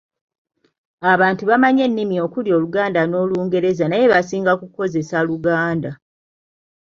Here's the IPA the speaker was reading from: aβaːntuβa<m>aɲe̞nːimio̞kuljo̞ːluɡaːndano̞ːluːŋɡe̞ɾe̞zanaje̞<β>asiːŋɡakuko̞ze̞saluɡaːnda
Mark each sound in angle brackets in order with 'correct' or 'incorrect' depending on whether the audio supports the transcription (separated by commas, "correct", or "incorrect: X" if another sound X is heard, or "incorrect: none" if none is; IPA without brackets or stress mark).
correct, correct